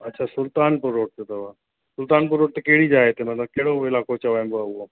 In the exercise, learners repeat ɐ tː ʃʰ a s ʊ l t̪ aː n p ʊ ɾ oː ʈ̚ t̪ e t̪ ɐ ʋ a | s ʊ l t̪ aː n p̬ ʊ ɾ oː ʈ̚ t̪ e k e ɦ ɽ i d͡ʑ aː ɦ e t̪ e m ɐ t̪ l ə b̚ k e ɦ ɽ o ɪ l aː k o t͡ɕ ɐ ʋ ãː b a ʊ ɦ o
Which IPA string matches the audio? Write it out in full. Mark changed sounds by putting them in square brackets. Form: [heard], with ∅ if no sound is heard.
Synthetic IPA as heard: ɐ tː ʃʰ a s ʊ l t̪ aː n p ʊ ɾ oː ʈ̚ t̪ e t̪ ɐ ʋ a | s ʊ l t̪ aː n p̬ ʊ ɾ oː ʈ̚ t̪ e k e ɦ ɽ i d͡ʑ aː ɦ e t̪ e m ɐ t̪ l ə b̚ k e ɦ ɽ o ɪ l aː k o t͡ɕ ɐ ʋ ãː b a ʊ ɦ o